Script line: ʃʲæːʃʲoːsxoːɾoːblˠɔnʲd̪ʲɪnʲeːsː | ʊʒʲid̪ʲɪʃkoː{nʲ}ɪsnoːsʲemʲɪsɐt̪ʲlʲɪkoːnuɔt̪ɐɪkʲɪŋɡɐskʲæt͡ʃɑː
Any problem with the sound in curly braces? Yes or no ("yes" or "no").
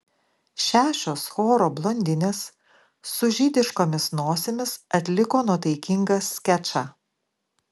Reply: yes